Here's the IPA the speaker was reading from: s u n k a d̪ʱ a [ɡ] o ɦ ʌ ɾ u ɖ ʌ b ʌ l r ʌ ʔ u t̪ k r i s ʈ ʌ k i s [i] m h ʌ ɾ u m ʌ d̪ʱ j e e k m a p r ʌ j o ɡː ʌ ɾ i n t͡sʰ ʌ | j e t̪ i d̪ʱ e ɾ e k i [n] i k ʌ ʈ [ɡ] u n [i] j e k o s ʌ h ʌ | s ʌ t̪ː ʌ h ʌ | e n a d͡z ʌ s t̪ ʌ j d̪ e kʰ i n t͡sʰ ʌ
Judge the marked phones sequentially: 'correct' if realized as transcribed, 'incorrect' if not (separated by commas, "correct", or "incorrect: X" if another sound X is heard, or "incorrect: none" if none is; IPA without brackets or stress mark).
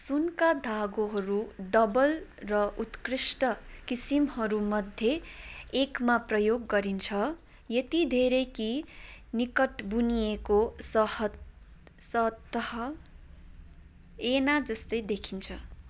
correct, correct, correct, incorrect: b, correct